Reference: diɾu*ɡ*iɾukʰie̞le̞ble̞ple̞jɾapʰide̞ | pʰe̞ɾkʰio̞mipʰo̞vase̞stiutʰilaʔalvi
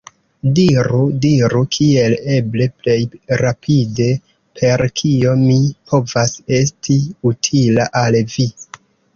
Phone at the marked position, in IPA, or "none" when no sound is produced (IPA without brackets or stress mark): d